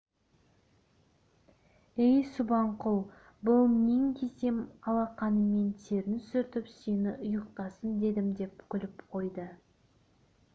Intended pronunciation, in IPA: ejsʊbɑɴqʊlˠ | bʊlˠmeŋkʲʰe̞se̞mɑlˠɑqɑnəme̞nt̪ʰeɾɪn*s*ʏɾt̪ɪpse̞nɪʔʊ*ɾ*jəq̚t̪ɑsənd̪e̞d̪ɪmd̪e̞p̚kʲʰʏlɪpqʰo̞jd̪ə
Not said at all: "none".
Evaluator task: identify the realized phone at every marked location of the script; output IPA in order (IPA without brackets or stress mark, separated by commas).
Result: s, none